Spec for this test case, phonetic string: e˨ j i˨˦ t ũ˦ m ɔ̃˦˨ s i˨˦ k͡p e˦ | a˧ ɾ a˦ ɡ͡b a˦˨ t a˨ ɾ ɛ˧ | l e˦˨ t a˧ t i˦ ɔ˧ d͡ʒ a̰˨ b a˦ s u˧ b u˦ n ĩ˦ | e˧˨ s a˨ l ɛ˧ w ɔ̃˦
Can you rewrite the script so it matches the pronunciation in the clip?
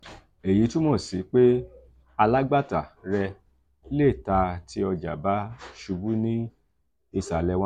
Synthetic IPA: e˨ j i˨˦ t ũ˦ m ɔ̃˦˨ s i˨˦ k͡p e˦ | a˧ l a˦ ɡ͡b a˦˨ t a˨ ɾ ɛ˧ | l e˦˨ t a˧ t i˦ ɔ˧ d͡ʒ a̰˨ b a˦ ʃ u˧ b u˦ n ĩ˦ | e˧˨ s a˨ l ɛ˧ w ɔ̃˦

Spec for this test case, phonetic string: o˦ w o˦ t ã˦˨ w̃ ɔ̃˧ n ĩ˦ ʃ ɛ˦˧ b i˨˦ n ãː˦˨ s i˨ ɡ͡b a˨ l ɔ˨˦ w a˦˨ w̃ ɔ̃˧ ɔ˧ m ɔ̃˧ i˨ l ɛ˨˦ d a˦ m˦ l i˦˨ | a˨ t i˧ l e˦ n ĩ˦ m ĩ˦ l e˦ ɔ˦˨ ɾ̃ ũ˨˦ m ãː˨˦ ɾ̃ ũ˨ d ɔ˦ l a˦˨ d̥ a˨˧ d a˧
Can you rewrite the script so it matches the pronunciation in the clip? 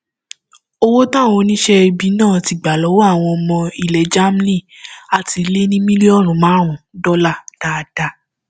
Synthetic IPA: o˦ w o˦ t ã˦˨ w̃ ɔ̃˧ n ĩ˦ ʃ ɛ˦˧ b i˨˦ n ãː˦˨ t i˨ ɡ͡b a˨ l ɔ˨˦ w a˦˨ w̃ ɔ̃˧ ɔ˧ m ɔ̃˧ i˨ l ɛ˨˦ d͡ʒ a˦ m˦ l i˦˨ | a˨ t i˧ l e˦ n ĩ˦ m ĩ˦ l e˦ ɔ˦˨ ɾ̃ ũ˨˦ m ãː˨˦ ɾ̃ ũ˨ d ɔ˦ l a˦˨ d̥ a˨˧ d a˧

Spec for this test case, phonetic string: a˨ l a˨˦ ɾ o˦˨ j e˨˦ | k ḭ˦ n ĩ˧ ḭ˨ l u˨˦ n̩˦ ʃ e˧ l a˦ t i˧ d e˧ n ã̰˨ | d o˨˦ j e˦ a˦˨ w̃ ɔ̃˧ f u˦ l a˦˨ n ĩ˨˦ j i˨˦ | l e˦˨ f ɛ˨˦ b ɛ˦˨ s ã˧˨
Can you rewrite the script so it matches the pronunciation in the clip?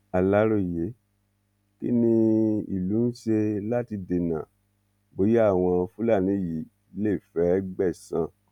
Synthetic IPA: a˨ l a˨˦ ɾ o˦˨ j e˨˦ | k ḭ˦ n ĩ˧ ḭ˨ l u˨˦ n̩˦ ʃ e˧ l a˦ t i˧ d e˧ n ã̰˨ | b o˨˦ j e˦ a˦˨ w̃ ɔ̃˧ f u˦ l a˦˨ n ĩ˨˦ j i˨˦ | l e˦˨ f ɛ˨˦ ɡ͡b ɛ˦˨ s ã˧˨

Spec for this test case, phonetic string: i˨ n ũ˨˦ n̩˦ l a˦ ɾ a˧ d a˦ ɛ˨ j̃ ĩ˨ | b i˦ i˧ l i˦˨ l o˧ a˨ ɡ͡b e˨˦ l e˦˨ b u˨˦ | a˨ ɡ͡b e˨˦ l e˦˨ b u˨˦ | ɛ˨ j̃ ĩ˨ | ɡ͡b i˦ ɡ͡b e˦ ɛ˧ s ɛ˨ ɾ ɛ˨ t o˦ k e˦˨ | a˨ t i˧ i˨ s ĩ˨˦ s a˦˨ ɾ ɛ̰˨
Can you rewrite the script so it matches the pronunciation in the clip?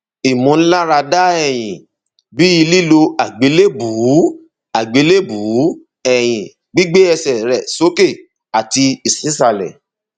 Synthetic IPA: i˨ m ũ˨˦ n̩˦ l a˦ ɾ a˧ d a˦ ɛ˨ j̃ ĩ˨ | b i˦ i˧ l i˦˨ l o˧ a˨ ɡ͡b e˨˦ l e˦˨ b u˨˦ | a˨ ɡ͡b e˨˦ l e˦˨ b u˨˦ | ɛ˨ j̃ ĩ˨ | ɡ͡b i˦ ɡ͡b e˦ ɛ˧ s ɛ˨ ɾ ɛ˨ s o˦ k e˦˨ | a˨ t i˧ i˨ s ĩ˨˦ s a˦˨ l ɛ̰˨

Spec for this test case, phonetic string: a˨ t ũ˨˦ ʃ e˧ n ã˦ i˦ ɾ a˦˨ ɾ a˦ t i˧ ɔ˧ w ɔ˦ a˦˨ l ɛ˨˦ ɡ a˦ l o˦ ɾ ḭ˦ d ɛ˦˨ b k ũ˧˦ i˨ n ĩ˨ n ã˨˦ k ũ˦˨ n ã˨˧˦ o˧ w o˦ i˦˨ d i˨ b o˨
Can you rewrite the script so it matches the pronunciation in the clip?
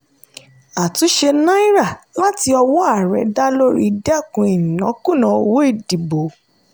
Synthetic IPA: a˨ t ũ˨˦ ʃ e˧ n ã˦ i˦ ɾ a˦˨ l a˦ t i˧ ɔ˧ w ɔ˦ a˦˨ ɾ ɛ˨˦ d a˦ l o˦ ɾ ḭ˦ d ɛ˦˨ k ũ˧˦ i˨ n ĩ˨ n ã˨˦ k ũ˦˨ n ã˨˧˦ o˧ w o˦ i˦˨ d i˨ b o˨

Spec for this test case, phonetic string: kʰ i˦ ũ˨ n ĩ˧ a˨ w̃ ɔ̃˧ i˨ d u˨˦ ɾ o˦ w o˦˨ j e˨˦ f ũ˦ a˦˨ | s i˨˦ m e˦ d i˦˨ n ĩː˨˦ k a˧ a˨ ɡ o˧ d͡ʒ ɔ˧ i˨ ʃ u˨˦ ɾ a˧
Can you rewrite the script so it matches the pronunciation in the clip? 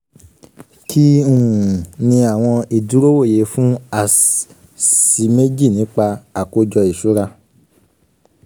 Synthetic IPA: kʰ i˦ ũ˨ n ĩ˧ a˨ w̃ ɔ̃˧ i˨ d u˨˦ ɾ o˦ w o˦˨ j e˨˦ f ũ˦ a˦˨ | s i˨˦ m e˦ d͡ʒ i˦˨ n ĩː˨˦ k͡p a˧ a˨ k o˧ d͡ʒ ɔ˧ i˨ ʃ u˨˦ ɾ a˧

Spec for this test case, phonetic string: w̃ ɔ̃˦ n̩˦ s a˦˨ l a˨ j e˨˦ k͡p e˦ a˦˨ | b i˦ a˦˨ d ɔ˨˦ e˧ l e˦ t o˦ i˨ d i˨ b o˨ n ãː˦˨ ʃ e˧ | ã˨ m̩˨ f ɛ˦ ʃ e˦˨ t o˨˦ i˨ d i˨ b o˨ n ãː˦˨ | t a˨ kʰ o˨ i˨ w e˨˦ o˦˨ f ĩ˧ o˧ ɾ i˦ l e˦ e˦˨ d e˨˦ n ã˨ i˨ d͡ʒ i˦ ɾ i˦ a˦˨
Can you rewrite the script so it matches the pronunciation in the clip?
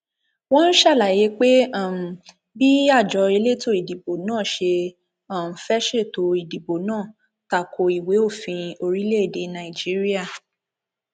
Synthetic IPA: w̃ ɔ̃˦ n̩˦ ʃ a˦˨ l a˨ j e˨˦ k͡p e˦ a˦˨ | b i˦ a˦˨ d͡ʒ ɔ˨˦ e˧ l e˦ t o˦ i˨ d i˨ b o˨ n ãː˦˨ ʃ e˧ | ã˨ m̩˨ f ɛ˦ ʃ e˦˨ t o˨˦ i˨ d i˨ b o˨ n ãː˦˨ | t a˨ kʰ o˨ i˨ w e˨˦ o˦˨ f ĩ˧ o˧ ɾ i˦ l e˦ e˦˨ d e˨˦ n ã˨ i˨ d͡ʒ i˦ ɾ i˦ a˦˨

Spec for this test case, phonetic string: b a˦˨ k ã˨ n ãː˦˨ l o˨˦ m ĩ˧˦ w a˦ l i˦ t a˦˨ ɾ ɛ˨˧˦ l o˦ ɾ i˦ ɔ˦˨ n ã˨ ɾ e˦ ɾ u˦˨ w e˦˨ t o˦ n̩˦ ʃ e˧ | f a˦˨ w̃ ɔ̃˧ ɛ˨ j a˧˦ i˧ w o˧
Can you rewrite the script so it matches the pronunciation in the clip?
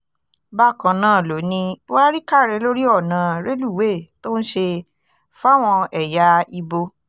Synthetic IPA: b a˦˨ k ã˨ n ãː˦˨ l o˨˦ n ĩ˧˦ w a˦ ɾ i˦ k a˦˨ ɾ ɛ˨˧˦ l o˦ ɾ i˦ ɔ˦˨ n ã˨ ɾ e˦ l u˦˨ w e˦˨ t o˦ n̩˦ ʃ e˧ | f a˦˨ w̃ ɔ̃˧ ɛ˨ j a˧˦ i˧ b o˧

